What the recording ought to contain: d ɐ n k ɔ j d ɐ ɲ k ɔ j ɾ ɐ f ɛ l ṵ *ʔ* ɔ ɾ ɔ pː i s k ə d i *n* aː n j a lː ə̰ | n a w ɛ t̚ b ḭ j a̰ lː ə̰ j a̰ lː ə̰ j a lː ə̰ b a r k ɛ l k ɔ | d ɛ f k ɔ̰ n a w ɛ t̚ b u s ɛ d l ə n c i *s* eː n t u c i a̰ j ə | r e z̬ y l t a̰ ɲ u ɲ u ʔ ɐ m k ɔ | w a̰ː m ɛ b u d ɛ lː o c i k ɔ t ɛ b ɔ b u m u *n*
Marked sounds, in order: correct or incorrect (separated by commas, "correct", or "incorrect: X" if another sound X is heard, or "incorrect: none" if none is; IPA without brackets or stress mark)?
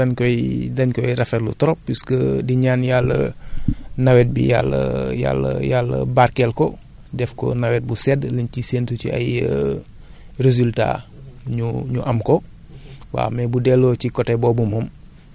incorrect: t, incorrect: ɲ, correct, incorrect: m